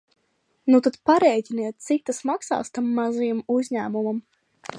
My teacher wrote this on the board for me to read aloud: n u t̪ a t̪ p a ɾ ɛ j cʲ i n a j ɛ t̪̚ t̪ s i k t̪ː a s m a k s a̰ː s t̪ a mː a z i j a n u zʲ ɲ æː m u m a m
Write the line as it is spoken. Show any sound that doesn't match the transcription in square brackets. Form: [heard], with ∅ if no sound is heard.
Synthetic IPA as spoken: n u t̪ a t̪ p a ɾ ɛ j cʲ i n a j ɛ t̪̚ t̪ s i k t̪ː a s m a k s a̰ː s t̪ a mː a z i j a [m] u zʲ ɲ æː m u m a m